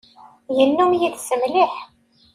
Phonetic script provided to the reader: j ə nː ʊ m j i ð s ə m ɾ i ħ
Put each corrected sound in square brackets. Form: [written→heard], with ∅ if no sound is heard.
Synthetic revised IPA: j ə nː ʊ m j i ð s ə m [ɾ→l] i ħ